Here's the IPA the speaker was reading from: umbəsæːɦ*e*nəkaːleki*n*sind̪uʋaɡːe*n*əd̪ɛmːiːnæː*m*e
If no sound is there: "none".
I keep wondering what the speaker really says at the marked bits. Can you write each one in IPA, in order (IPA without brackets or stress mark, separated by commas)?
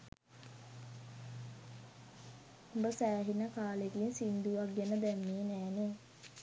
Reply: i, n, n, n